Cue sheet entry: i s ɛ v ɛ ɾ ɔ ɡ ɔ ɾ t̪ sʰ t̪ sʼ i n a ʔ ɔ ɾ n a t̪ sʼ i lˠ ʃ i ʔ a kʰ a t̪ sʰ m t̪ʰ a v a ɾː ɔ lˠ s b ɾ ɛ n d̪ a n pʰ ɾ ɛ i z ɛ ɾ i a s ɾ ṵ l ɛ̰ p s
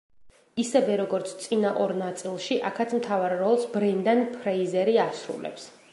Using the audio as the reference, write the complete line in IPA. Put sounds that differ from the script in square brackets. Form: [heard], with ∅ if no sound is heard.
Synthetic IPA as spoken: i s ɛ v ɛ ɾ ɔ ɡ ɔ ɾ t̪ sʰ t̪ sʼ i n a ʔ ɔ ɾ n a t̪ sʼ i lˠ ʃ i ʔ a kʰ a t̪ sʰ m t̪ʰ a v a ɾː ɔ lˠ s b ɾ ɛ n d̪ a n pʰ ɾ ɛ i z ɛ ɾ i a s ɾ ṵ l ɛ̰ p s